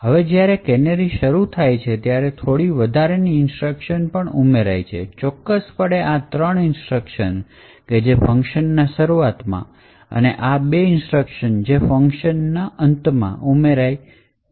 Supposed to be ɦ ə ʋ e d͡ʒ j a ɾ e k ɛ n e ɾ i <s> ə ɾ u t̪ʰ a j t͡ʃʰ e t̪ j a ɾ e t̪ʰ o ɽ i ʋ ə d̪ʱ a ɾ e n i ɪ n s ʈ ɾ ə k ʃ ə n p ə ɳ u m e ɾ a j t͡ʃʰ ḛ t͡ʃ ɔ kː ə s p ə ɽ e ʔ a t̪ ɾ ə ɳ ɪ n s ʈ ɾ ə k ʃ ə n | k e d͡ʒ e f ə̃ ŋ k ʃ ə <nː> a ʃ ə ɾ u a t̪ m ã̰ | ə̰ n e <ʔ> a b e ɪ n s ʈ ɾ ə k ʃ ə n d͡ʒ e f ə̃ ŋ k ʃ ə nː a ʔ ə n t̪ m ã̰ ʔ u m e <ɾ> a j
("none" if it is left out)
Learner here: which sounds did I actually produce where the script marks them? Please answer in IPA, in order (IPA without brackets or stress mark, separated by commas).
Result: ʃ, nː, ʔ, ɾ